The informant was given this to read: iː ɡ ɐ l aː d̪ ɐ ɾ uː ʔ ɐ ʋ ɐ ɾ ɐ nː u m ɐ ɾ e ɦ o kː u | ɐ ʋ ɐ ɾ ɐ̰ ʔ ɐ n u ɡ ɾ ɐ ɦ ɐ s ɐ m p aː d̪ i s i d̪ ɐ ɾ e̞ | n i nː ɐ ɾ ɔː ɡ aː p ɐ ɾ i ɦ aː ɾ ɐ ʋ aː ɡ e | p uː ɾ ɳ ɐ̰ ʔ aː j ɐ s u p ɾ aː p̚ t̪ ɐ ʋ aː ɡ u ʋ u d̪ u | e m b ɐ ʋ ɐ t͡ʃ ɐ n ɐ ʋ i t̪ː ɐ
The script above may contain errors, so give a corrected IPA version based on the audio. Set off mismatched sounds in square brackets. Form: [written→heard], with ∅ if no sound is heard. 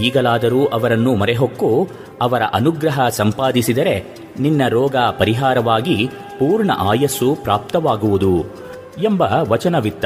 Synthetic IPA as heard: iː ɡ ɐ l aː d̪ ɐ ɾ uː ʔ ɐ ʋ ɐ ɾ ɐ nː u m ɐ ɾ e ɦ o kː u | ɐ ʋ ɐ ɾ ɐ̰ ʔ ɐ n u ɡ ɾ ɐ ɦ ɐ s ɐ m p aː d̪ i s i d̪ ɐ ɾ e̞ | n i nː ɐ ɾ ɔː ɡ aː p ɐ ɾ i ɦ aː ɾ ɐ ʋ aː ɡ [e→i] | p uː ɾ ɳ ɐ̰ ʔ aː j ɐ s u p ɾ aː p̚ t̪ ɐ ʋ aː ɡ u ʋ u d̪ u | e m b ɐ ʋ ɐ t͡ʃ ɐ n ɐ ʋ i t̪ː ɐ